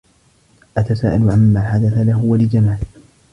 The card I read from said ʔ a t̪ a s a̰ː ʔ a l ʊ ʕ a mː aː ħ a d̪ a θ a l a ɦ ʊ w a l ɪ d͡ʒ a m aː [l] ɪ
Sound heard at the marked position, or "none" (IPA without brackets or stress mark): l